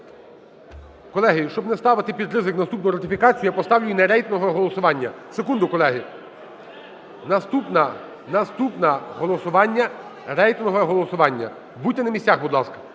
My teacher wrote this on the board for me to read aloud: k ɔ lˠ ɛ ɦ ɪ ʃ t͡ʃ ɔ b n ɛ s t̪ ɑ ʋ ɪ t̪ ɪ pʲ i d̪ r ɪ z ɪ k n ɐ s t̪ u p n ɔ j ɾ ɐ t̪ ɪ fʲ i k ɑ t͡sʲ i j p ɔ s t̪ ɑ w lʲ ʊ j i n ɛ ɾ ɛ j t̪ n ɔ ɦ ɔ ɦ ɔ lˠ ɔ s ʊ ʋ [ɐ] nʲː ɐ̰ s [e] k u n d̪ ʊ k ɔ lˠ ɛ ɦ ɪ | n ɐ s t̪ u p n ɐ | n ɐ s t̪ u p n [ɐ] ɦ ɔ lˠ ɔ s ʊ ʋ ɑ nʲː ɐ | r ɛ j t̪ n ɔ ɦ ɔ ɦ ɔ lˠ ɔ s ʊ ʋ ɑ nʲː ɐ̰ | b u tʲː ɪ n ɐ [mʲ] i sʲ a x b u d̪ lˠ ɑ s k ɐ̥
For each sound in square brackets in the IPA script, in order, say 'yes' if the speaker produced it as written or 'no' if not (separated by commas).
no, yes, yes, yes